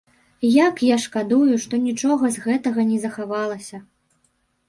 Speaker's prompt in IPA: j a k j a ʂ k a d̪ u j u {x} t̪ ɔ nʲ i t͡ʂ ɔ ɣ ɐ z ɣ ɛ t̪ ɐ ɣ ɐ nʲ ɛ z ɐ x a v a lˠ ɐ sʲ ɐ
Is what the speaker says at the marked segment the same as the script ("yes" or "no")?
no